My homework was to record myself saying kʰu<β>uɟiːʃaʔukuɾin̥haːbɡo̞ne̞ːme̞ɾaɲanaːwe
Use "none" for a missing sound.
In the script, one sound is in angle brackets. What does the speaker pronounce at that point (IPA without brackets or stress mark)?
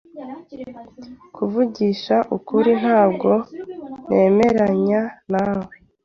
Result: v